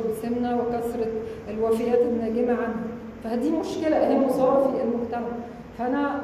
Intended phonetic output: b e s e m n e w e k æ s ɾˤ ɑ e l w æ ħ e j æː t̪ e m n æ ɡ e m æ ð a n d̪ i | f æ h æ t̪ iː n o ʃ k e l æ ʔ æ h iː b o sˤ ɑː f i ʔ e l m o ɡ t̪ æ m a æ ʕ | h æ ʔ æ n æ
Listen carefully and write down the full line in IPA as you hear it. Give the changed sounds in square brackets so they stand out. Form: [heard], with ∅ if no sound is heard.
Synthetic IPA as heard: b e s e m n [æ] w e k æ s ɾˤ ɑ e l w æ [f] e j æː t̪ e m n æ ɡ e m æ [ʕ] a n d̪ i | f æ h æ [d̪] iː [m] o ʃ k e l æ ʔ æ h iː [m] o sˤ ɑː f i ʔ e l m o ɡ t̪ æ m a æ ʕ | [f] æ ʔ æ n æ